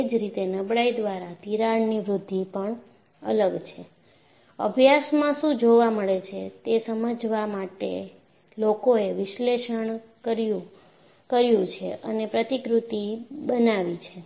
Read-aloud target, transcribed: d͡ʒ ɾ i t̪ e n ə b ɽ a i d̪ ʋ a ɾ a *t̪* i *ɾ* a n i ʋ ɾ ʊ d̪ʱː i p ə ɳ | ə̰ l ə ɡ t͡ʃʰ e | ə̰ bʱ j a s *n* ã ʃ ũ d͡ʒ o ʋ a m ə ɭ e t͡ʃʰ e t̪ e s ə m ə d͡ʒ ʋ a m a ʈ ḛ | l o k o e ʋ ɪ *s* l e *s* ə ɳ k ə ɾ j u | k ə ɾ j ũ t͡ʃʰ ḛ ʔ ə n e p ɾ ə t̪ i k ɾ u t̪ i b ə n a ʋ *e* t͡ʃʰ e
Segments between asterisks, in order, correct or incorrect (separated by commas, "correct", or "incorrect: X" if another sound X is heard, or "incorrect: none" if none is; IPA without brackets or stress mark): correct, correct, incorrect: m, incorrect: ʃ, incorrect: ʃ, incorrect: i